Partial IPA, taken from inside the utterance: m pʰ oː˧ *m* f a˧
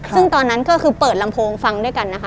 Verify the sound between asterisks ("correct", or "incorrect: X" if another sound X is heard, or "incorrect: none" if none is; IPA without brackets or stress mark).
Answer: incorrect: ŋ